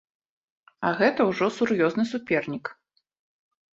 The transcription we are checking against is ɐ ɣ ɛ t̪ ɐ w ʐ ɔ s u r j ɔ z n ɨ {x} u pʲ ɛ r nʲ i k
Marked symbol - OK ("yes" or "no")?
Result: no